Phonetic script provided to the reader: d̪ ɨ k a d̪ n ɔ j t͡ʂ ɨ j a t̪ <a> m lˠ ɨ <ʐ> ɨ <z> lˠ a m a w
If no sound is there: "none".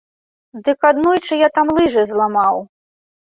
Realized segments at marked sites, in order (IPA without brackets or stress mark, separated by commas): a, ʐ, z